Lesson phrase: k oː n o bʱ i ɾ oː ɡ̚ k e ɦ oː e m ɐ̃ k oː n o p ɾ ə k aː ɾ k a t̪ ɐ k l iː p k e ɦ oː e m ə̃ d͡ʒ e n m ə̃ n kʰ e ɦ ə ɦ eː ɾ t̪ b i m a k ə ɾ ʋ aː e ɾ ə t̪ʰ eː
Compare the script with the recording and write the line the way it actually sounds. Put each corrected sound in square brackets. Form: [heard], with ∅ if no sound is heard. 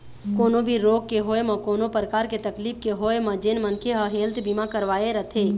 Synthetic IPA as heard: k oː n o bʱ i ɾ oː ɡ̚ k e ɦ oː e m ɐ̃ k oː n o p ɾ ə k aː ɾ k [e] t̪ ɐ k l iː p k e ɦ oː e m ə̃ d͡ʒ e n m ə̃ n kʰ e ɦ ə ɦ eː [l] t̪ b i m a k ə ɾ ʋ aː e ɾ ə t̪ʰ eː